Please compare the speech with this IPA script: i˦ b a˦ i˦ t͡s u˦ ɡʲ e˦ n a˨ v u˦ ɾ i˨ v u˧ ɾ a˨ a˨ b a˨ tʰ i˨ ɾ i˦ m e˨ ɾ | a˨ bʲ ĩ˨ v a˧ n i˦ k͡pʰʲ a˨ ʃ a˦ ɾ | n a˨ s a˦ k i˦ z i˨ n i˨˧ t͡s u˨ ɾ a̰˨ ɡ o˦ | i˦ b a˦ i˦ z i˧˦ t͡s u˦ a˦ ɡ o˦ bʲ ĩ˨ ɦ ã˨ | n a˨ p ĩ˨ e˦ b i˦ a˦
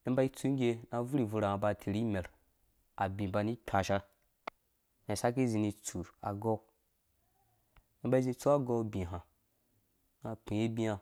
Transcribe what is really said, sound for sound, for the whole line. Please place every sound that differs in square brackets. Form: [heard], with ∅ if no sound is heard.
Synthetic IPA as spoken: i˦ b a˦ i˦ t͡s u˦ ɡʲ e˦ n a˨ v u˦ ɾ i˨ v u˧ ɾ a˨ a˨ b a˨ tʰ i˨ ɾ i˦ m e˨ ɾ | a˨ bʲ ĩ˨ [b] a˧ n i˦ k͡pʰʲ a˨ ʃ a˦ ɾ | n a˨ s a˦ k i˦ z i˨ n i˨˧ t͡s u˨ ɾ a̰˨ ɡ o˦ | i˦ b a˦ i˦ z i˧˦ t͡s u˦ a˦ ɡ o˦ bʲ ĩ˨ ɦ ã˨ | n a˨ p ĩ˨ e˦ b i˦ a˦

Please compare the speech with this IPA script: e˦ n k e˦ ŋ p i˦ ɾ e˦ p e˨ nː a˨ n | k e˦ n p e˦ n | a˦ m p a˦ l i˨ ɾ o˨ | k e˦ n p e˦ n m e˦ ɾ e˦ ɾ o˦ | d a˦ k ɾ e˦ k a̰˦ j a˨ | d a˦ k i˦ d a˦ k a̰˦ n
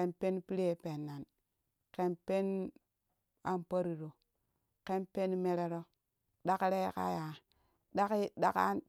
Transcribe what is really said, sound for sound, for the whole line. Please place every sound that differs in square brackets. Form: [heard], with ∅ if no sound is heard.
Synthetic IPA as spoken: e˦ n [p] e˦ [n] p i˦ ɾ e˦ p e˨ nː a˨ n | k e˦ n p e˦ n | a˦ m p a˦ [ɾ] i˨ ɾ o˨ | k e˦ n p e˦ n m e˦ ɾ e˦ ɾ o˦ | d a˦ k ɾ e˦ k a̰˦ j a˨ | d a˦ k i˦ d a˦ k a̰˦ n

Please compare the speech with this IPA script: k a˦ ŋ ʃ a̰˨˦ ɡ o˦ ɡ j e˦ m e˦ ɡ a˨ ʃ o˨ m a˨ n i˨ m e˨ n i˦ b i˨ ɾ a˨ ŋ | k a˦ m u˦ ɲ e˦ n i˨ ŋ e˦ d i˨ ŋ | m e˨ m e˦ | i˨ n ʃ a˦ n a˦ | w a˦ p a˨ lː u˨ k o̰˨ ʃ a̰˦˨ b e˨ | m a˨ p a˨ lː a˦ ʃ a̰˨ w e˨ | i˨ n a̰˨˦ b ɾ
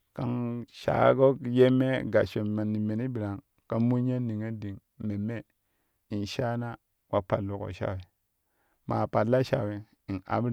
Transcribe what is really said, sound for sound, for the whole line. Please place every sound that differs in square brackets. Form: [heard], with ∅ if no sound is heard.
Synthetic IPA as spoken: k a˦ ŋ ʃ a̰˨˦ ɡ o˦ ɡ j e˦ m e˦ ɡ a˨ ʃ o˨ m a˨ n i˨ m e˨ n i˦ b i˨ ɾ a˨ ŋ | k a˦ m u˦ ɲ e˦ n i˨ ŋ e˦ d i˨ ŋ | m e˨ m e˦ | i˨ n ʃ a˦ n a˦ | w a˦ p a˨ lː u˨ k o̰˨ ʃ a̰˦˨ [w] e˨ | m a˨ p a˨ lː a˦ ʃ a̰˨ w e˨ | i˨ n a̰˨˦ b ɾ

